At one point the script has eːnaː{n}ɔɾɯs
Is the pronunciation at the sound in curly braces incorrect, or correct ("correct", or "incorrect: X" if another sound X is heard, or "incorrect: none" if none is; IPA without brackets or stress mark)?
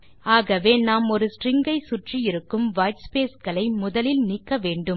incorrect: m